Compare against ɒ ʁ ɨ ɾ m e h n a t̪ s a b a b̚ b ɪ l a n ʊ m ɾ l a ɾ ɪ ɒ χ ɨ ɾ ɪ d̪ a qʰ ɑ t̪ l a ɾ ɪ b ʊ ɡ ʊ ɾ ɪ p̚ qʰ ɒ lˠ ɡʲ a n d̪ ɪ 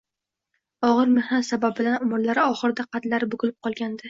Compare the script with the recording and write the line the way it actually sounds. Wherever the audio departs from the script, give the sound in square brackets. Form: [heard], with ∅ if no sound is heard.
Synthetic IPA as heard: ɒ ʁ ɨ ɾ m e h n a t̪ s a b a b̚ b ɪ l a n ʊ m ɾ l a ɾ ɪ ɒ χ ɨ ɾ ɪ d̪ a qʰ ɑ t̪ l a ɾ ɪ b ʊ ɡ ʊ [l] ɪ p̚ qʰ ɒ lˠ ɡʲ a n d̪ ɪ